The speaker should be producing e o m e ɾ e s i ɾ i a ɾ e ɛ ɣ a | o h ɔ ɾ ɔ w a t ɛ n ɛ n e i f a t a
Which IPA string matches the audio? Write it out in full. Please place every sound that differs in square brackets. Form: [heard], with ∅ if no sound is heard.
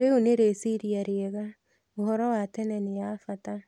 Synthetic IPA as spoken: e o [n] e ɾ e s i ɾ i a ɾ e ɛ ɣ a | o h ɔ ɾ ɔ w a t ɛ n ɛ n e [a] f a t a